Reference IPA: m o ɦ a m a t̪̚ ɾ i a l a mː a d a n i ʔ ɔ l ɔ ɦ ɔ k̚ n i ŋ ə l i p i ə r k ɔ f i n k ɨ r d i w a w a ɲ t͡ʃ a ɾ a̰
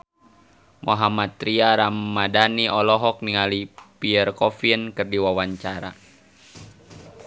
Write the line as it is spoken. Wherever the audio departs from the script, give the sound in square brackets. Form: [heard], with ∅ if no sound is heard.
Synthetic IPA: m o ɦ a m a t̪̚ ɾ i a [ɾ] a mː a d a n i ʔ ɔ l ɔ ɦ ɔ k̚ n i ŋ [a] l i p i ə r k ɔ f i n k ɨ r d i w a w a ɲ t͡ʃ a ɾ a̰

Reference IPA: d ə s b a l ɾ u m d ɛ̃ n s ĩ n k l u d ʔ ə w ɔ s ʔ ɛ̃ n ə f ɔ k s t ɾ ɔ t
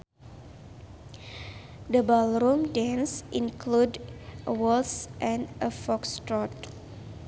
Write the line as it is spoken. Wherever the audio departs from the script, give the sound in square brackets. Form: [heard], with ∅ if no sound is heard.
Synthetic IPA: d ə [∅] b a l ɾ u m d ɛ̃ n s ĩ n k l u d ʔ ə w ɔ s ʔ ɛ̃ n ə f ɔ k s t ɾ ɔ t

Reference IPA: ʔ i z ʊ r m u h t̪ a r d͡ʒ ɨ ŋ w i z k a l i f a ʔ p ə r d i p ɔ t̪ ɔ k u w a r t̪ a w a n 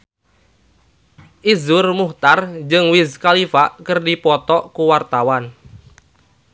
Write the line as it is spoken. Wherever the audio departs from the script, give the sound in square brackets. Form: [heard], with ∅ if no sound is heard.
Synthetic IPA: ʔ i z ʊ r m u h t̪ a r d͡ʒ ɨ ŋ w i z k a l i f a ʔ [k] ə r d i p ɔ t̪ ɔ k u w a r t̪ a w a n

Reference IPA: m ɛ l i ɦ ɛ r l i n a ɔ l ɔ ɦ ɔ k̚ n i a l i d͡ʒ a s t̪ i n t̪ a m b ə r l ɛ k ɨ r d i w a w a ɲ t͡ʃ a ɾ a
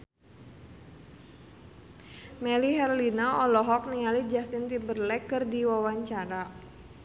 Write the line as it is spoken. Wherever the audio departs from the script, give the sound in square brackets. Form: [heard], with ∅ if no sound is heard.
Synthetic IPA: m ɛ l i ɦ ɛ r l i n a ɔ l ɔ ɦ ɔ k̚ n i a l i d͡ʒ a s t̪ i n t̪ [i] m b ə r l ɛ k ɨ r d i w a w a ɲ t͡ʃ a ɾ a

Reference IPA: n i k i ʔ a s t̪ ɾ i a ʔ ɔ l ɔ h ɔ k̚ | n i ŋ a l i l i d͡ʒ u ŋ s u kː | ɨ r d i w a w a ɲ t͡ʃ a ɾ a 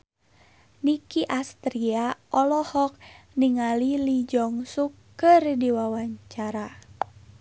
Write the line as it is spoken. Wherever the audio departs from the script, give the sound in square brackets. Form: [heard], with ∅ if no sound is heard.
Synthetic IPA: n i k i ʔ a s t̪ ɾ i a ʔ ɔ l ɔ h ɔ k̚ | n i ŋ a l i l i d͡ʒ [ɔ] ŋ s u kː | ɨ r d i w a w a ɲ t͡ʃ a ɾ a

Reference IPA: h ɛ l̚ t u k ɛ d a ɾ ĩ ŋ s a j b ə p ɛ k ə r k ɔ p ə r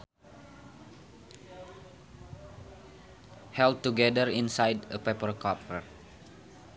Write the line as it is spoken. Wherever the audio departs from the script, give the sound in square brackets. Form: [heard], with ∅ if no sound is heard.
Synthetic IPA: h ɛ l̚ t u [ɡ] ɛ d [ə] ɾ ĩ [n] s a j [d] ə p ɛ [p] ə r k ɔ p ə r

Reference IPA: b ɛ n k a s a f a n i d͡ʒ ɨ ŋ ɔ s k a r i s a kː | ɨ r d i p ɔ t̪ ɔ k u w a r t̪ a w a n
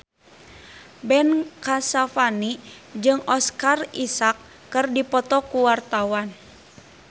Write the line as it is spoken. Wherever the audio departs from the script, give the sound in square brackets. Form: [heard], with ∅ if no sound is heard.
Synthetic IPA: b ɛ n k a s a f a n i d͡ʒ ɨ ŋ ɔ s k a r i s a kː | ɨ r d i p ɔ t̪ ɔ k u w a r t̪ a w a n

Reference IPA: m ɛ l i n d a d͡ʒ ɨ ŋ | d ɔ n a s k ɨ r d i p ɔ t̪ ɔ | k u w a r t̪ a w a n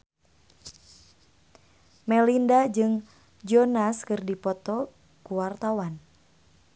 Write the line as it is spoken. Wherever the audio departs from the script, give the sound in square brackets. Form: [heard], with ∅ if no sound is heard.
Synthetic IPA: m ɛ l i n d a d͡ʒ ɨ ŋ | [d͡ʒ] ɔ n a s k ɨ r d i p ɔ t̪ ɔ | k u w a r t̪ a w a n

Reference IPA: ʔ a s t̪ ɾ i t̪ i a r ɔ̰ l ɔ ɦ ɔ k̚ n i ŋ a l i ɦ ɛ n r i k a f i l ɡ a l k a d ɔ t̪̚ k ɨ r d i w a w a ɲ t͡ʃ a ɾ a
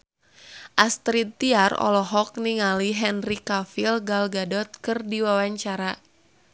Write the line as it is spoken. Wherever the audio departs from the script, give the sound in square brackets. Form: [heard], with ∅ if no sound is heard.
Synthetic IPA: ʔ a s t̪ ɾ i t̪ i a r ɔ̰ l ɔ ɦ ɔ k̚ n i ŋ a l i ɦ ɛ n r i k a f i l ɡ a l [ɡ] a d ɔ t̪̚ k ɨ r d i w a w a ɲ t͡ʃ a ɾ a

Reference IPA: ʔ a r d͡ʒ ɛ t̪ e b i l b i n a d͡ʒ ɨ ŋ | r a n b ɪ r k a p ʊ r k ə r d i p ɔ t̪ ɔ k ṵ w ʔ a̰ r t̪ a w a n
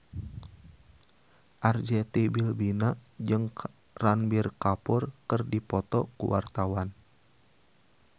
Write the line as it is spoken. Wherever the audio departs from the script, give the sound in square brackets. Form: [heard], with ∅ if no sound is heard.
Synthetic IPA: ʔ a r d͡ʒ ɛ t̪ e b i l b i n a d͡ʒ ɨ ŋ | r a n b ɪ r k a p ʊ r k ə r d i p ɔ t̪ ɔ k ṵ w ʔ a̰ r t̪ a w a n

